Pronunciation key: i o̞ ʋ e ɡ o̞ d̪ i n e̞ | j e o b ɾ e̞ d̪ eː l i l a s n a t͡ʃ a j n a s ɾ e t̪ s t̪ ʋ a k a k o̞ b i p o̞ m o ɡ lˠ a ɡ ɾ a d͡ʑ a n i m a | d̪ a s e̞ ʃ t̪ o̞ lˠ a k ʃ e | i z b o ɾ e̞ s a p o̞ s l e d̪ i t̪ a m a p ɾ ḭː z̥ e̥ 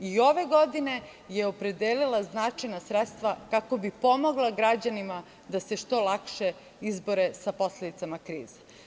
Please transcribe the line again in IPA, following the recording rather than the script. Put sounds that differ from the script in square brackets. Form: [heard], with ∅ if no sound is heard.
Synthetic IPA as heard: i o̞ ʋ e ɡ o̞ d̪ i n e̞ | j e o [p] ɾ e̞ d̪ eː l i l a [z] n a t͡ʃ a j n a s ɾ e t̪ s t̪ ʋ a k a k o̞ b i p o̞ m o ɡ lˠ a ɡ ɾ a d͡ʑ a n i m a | d̪ a s e̞ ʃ t̪ o̞ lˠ a k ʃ e | i z b o ɾ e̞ s a p o̞ s l e d̪ i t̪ a m a [k] ɾ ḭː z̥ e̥